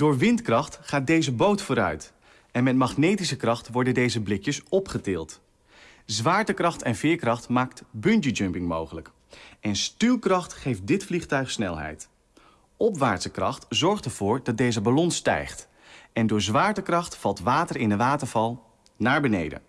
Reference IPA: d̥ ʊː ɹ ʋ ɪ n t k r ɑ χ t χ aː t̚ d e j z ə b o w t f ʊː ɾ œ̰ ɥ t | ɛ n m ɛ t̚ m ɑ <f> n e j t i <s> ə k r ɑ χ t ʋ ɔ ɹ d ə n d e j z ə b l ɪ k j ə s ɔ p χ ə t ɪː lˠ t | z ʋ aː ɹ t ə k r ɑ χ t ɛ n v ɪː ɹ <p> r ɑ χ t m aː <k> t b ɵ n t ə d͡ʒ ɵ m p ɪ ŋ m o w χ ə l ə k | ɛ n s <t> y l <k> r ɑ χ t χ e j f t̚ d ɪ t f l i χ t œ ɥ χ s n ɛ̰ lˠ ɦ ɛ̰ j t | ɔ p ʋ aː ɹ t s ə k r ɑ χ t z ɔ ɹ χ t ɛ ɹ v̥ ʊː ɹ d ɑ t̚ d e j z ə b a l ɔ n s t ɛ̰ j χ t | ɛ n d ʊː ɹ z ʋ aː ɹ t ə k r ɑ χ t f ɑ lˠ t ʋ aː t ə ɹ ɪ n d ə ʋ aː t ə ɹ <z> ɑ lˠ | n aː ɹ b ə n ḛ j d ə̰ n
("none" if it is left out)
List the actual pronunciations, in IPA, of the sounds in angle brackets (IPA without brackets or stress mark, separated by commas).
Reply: χ, s, k, k, t, k, v